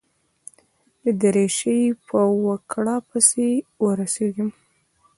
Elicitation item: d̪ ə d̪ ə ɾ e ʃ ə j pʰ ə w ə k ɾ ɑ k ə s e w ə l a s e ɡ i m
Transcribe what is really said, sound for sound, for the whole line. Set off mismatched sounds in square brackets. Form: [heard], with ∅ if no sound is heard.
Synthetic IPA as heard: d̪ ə d̪ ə ɾ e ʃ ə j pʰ ə w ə k [ɽ] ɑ [p] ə s e w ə [ɾ] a s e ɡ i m